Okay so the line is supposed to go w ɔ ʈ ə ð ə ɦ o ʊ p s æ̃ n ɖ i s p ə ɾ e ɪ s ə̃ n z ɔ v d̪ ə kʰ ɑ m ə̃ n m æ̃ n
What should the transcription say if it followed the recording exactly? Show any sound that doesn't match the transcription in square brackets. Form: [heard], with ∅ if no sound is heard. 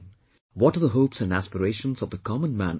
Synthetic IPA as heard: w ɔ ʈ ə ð ə ɦ o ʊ p s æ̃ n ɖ [æ] s p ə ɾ e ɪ [ʃ] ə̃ n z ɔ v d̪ ə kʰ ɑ m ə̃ n m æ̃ n